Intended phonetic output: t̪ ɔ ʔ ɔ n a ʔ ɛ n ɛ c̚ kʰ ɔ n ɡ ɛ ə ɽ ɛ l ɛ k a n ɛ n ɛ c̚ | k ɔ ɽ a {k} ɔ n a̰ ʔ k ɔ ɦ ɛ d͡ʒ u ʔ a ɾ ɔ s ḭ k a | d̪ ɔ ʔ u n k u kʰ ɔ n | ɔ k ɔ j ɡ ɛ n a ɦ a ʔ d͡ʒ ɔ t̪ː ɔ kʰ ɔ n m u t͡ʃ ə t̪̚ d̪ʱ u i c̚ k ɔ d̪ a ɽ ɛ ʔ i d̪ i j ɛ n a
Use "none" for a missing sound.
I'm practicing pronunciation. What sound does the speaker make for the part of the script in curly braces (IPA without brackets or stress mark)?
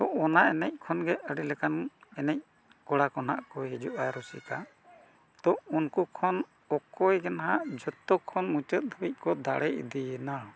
k